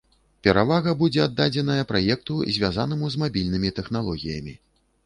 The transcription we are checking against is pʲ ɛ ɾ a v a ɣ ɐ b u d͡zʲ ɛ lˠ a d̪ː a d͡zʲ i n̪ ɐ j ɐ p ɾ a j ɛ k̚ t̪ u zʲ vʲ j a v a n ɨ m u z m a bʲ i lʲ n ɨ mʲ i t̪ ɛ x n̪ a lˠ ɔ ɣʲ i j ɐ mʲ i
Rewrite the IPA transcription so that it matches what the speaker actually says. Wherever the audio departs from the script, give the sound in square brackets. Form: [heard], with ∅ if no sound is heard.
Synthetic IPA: pʲ ɛ ɾ a v a ɣ ɐ b u d͡zʲ ɛ [∅] a d̪ː a d͡zʲ [ɛ] n̪ ɐ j ɐ p ɾ a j ɛ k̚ t̪ u zʲ vʲ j a [z] a n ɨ m u z m a bʲ i lʲ n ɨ mʲ i t̪ ɛ x n̪ a lˠ ɔ ɣʲ i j ɐ mʲ i